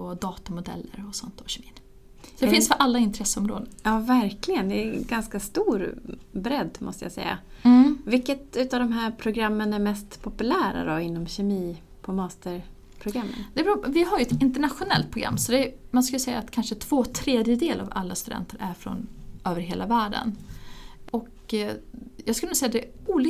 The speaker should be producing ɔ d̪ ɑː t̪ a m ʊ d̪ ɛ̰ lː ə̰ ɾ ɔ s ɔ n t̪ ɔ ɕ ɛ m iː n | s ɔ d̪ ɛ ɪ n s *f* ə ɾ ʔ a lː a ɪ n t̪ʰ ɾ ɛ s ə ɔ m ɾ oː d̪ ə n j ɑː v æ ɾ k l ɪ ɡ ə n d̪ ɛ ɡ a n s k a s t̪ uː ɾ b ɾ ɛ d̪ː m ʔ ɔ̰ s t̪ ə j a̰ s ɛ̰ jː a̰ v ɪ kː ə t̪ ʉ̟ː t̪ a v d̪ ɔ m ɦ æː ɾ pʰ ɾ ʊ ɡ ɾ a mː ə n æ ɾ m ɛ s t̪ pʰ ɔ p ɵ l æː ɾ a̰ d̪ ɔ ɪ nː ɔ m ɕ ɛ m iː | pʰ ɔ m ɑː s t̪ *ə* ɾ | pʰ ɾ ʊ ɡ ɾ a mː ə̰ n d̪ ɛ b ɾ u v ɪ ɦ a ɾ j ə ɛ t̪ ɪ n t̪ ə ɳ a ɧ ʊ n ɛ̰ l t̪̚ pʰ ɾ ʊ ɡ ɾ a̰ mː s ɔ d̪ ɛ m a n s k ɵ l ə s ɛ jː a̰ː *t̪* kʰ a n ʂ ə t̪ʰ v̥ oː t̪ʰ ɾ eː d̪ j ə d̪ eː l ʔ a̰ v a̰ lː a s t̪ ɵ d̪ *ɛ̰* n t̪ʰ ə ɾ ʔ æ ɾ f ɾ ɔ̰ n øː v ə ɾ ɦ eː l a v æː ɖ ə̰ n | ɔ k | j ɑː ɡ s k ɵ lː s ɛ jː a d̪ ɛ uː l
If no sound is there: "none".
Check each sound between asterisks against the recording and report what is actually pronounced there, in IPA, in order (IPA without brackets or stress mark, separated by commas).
f, ə, t̪, ɛ̰